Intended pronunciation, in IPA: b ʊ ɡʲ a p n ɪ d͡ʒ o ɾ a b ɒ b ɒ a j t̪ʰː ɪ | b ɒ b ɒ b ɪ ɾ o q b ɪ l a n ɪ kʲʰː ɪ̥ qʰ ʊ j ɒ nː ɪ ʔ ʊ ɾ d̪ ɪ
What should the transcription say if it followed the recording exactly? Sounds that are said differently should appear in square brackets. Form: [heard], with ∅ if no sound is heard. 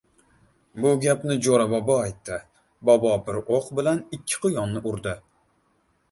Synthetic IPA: b ʊ ɡʲ a p n ɪ d͡ʒ o ɾ a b ɒ b ɒ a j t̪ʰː ɪ | b ɒ b ɒ b ɪ ɾ o q b ɪ l a n ɪ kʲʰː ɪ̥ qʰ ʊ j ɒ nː ɪ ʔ ʊ ɾ d̪ ɪ